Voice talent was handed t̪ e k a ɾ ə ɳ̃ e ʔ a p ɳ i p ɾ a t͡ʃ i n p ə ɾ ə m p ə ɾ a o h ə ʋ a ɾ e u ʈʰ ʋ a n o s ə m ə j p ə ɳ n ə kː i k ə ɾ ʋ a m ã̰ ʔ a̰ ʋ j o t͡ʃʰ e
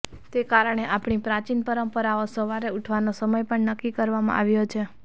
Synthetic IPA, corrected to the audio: t̪ e k a ɾ ə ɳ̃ e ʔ a p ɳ i p ɾ a t͡ʃ i n p ə ɾ ə m p ə ɾ a o s ə ʋ a ɾ e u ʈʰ ʋ a n o s ə m ə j p ə ɳ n ə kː i k ə ɾ ʋ a m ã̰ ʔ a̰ ʋ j o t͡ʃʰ e

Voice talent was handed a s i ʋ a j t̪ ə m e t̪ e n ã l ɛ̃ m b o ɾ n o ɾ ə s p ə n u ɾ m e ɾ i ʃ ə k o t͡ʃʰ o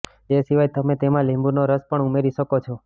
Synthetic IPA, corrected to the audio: e s i ʋ a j t̪ ə m e t̪ e m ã l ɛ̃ m b u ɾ n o ɾ ə s p ə ɳ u m e ɾ i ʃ ə k o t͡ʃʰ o

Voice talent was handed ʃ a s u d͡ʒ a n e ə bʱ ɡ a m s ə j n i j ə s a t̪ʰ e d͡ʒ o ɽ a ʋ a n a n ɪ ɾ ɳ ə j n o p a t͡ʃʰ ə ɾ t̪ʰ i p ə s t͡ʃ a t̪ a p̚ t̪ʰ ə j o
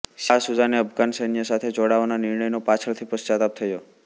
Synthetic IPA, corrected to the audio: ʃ a s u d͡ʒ a n e ə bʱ ɡ a n s ə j n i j ə s a t̪ʰ e d͡ʒ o ɽ a ʋ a n a n ɪ ɾ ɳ ə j n o p a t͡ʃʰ ə ɭ t̪ʰ i p ə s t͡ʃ a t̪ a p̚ t̪ʰ ə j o

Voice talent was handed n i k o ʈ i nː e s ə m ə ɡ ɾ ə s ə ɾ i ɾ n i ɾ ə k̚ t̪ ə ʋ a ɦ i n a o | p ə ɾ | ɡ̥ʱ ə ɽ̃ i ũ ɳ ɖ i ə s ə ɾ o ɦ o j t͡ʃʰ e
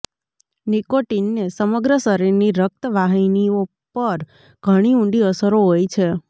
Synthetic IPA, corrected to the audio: n i k o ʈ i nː e s ə m ə ɡ ɾ ə s ə ɾ i ɾ n i ɾ ə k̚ t̪ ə ʋ a ɦ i n i o | p ə ɾ | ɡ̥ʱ ə ɽ̃ i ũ ɳ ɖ i ə s ə ɾ o ɦ o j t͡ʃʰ e

